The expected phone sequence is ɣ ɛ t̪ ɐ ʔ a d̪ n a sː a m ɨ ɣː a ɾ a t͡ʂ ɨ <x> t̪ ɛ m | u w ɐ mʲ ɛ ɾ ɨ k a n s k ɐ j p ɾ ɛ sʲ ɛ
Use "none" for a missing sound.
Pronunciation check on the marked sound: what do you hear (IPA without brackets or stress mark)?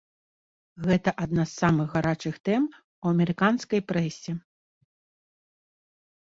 x